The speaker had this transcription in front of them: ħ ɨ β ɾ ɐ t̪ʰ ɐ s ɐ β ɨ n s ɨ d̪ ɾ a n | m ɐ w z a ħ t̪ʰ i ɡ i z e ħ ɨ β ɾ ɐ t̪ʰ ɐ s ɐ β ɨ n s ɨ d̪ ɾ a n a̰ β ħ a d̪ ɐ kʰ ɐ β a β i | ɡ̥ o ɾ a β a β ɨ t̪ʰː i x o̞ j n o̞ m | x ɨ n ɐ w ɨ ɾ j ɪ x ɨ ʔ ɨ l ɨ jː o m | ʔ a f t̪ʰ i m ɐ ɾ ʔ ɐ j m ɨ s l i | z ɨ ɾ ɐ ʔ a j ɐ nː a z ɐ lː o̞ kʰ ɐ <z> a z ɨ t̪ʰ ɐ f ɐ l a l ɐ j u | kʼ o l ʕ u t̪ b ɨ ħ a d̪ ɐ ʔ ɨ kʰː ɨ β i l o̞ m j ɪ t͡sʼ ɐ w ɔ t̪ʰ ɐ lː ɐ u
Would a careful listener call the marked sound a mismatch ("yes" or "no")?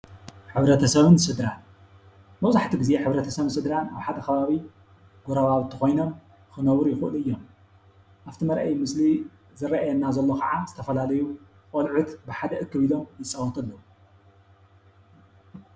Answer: yes